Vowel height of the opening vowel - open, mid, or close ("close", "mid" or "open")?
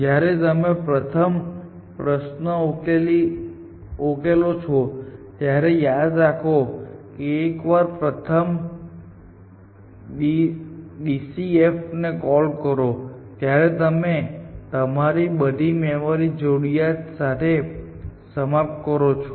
open